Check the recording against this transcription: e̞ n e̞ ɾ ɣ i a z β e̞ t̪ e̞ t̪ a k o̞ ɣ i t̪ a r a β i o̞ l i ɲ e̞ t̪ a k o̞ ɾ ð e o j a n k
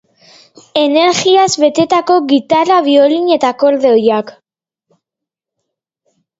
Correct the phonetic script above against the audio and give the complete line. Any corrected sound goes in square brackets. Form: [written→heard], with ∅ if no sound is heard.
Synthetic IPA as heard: e̞ n e̞ ɾ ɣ i a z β e̞ t̪ e̞ t̪ a k o̞ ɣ i t̪ a r a β i o̞ l i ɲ e̞ t̪ a k o̞ ɾ ð e o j a [n→∅] k